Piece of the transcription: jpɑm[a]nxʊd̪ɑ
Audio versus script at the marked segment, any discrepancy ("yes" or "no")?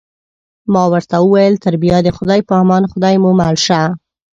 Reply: yes